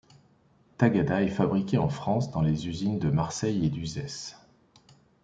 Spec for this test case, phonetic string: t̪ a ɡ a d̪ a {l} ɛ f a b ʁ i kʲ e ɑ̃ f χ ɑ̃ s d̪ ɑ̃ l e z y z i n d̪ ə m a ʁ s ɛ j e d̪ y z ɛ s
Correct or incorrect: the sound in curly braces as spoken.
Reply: incorrect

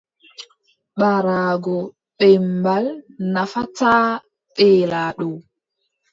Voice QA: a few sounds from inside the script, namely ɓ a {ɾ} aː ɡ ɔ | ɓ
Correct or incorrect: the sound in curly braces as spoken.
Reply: correct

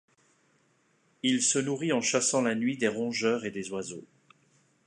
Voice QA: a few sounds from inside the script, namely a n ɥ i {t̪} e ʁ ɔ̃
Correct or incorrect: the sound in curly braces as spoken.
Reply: incorrect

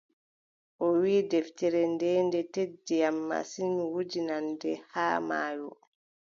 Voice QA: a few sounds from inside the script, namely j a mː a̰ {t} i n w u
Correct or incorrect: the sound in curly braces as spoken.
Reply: incorrect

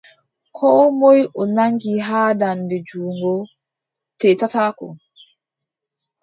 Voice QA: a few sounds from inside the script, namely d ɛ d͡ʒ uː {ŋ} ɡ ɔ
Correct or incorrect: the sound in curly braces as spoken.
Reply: correct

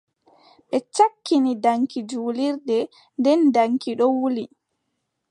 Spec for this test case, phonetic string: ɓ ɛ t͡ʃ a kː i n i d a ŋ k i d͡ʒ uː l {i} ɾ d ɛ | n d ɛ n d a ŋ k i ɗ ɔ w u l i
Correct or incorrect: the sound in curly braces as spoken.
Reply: correct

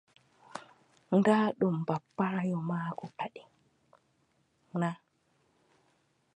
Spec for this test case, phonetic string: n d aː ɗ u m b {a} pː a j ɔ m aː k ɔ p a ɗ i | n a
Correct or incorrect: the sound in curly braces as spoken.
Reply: correct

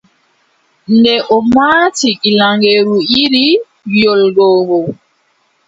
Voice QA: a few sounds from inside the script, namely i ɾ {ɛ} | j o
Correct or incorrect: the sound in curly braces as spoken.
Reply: incorrect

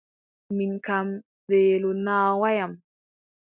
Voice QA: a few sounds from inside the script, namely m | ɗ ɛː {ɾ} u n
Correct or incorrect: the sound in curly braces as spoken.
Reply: incorrect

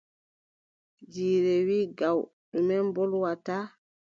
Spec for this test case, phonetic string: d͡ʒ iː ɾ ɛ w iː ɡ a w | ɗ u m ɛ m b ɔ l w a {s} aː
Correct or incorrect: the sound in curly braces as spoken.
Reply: incorrect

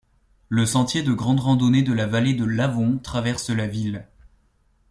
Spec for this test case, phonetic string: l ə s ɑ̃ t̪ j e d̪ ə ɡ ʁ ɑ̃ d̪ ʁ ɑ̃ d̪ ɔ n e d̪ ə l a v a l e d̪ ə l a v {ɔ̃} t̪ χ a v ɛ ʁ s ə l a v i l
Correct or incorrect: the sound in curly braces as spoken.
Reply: correct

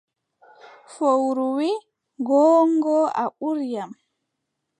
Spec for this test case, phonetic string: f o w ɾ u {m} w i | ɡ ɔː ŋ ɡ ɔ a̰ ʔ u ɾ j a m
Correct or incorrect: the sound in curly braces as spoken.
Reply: incorrect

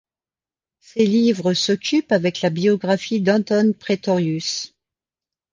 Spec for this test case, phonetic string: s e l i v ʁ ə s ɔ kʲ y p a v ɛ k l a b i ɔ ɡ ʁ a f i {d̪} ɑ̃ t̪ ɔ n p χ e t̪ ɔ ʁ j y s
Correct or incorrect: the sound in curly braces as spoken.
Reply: correct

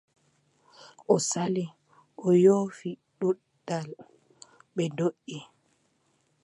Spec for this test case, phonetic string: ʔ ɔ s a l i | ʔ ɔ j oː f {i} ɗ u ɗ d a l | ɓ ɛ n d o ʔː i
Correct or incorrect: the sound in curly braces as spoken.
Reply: correct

